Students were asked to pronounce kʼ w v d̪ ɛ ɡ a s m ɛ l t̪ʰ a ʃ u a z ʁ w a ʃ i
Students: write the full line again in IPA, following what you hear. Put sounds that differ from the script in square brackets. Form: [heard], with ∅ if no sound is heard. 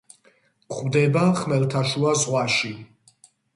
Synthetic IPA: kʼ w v d̪ ɛ [b] a [χ] m ɛ l t̪ʰ a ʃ u a z ʁ w a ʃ i